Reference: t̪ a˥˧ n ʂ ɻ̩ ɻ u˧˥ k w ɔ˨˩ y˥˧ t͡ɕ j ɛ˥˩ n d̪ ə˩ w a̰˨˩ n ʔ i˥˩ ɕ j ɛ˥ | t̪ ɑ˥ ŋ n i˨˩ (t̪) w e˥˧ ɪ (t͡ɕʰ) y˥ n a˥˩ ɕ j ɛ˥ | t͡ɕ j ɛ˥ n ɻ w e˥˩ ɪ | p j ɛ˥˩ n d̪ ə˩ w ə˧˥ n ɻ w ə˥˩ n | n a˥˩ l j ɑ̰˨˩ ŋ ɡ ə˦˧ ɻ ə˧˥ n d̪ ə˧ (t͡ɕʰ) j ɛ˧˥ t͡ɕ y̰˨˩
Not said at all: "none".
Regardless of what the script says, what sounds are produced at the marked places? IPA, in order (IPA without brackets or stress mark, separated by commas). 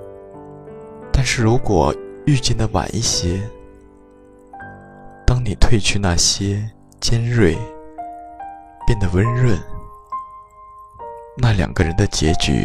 t̪ʰ, t͡ɕʰ, t͡ɕ